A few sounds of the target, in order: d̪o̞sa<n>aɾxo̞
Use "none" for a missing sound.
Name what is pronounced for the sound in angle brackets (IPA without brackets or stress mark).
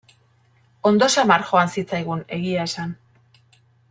m